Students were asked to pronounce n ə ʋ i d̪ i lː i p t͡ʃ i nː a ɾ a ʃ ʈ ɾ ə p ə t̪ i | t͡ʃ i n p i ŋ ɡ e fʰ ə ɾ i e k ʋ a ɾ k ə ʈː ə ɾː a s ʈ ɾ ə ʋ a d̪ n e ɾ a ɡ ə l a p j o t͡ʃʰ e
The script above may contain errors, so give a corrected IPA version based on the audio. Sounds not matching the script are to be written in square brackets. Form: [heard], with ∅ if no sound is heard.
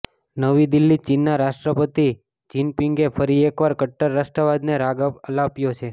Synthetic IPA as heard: n ə ʋ i d̪ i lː i [∅] t͡ʃ i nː a ɾ a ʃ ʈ ɾ ə p ə t̪ i | t͡ʃ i n p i ŋ ɡ e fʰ ə ɾ i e k ʋ a ɾ k ə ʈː ə ɾː a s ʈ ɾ ə ʋ a d̪ n e ɾ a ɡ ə l a p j o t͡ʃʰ e